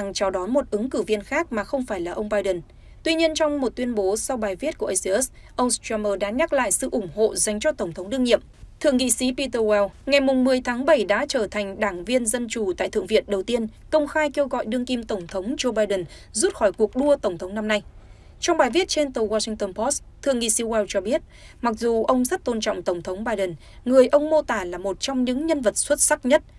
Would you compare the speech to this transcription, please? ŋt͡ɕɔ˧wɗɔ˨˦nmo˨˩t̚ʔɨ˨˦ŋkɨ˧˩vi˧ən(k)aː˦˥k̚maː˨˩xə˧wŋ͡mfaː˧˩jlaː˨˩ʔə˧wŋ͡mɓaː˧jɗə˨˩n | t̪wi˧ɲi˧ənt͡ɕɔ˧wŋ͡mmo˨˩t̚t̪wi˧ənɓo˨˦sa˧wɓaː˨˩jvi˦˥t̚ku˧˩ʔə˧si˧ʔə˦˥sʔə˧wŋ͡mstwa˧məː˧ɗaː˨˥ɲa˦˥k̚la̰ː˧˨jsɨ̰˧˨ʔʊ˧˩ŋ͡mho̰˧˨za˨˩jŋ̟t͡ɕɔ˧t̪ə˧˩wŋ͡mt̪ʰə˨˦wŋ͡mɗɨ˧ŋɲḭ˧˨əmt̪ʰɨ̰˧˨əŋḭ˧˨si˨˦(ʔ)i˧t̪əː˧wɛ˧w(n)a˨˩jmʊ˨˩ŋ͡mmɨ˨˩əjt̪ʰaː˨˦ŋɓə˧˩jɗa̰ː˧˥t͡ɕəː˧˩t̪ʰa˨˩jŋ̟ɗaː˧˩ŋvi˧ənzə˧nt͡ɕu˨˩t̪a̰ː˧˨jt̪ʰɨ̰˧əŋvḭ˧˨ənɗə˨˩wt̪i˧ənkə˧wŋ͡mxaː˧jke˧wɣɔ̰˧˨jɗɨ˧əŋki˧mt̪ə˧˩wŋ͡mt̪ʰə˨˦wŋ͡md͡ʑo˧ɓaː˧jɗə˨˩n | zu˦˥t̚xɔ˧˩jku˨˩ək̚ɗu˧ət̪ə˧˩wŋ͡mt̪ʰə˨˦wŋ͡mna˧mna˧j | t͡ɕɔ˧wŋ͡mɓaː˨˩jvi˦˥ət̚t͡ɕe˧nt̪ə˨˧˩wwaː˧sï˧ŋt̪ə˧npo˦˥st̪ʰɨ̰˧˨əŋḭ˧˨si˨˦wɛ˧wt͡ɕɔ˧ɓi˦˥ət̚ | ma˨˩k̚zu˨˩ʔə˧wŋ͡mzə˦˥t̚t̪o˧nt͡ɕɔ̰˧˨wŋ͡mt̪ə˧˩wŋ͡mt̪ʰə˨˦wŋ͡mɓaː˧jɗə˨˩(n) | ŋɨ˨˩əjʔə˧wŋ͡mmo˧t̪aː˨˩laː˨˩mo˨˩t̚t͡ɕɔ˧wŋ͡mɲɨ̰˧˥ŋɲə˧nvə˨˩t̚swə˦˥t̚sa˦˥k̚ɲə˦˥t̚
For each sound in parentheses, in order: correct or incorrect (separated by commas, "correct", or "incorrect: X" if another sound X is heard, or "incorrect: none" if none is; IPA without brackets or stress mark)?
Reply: incorrect: x, incorrect: p, incorrect: ŋ, correct